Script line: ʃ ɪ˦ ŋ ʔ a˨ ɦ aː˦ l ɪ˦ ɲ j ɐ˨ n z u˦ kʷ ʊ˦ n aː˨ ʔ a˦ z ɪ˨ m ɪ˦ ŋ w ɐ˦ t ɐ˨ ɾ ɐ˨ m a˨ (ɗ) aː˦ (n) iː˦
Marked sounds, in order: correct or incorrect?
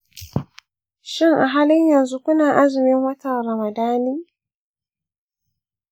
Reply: incorrect, correct

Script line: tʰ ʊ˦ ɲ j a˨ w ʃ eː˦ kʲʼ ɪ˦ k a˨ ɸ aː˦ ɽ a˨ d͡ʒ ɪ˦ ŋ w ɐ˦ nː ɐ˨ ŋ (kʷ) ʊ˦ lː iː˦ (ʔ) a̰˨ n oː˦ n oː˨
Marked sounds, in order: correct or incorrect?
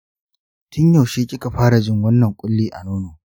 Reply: incorrect, correct

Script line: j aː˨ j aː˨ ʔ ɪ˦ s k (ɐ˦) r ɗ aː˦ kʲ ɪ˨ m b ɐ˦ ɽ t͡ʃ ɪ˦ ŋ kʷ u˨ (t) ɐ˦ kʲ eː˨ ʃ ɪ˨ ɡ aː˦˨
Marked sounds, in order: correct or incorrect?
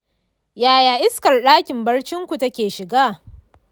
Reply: incorrect, correct

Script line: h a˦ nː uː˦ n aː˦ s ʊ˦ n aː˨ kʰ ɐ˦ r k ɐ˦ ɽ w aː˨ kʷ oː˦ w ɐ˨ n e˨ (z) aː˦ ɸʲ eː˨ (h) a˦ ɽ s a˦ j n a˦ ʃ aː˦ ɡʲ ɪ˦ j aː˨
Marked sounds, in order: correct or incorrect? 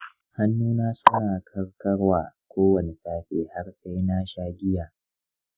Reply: incorrect, correct

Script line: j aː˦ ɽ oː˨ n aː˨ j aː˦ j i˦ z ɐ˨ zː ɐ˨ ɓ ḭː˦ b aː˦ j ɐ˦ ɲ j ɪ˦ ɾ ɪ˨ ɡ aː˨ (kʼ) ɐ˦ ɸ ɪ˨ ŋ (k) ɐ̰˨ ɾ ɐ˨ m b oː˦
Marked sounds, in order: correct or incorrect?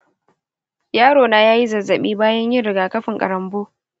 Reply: incorrect, incorrect

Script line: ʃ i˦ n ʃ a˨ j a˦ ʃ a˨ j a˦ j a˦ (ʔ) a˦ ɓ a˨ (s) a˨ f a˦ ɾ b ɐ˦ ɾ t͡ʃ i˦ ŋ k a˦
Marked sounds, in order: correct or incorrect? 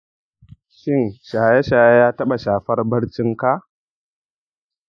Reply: incorrect, incorrect

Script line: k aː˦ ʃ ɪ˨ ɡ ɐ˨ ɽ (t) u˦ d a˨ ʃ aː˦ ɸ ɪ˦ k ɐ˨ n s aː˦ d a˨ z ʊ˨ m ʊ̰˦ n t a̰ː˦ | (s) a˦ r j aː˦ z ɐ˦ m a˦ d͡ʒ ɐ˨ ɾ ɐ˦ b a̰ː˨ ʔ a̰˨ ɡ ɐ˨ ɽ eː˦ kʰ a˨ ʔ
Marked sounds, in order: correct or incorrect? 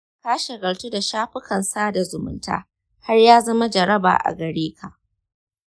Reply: correct, incorrect

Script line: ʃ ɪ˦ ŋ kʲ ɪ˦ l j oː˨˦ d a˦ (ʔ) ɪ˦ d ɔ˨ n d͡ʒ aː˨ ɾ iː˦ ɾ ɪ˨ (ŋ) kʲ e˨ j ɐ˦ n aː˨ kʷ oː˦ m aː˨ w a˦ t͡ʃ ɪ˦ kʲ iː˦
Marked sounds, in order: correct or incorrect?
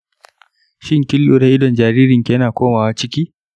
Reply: correct, correct

